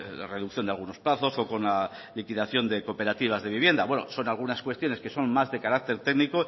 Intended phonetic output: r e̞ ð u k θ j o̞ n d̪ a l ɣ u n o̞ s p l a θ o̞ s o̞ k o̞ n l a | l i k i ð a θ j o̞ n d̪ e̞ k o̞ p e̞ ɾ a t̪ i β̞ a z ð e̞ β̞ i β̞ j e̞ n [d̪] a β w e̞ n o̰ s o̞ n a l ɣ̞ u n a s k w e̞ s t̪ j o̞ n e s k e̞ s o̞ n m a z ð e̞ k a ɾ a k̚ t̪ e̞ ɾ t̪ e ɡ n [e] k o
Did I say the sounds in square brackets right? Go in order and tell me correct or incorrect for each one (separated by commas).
correct, incorrect